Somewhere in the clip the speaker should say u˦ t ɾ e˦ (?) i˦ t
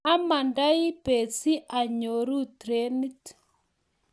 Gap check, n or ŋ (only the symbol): n